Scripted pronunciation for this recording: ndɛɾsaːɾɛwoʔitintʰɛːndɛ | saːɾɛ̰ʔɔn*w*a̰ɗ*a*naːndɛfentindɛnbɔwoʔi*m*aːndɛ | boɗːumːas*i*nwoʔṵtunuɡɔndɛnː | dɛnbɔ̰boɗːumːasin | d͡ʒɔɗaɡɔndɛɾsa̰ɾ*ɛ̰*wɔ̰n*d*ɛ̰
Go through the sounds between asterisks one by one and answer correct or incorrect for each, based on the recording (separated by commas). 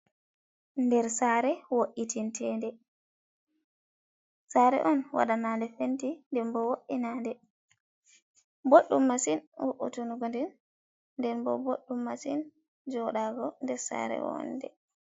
correct, correct, incorrect, correct, correct, correct